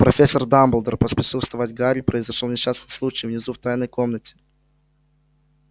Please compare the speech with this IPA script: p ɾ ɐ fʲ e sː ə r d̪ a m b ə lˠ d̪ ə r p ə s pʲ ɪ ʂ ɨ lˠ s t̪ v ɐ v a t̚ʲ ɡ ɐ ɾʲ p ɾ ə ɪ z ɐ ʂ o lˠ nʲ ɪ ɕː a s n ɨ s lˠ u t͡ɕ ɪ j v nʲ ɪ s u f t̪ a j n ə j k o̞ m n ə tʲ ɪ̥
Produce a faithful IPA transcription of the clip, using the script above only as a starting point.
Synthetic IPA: p ɾ ɐ fʲ e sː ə r d̪ a m b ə lˠ d̪ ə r p ə s pʲ ɪ ʂ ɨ lˠ s t̪ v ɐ v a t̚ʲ ɡ a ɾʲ p ɾ ə ɪ z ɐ ʂ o lˠ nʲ ɪ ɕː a s n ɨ s lˠ u t͡ɕ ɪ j v nʲ ɪ z u f t̪ a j n ə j k o̞ m n ə tʲ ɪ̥